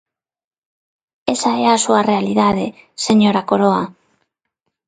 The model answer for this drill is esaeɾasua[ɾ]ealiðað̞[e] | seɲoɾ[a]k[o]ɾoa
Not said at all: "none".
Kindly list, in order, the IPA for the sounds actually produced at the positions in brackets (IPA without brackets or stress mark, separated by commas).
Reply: r, e, a, o